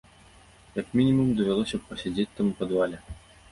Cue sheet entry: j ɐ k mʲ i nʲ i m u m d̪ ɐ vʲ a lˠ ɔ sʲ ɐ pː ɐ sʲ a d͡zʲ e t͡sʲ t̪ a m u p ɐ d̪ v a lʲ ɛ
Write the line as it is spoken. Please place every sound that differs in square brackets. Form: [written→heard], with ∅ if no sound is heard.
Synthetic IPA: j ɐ k mʲ i nʲ i m u m d̪ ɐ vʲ a lˠ ɔ sʲ ɐ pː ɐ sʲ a d͡zʲ e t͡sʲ t̪ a m u p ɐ d̪ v a lʲ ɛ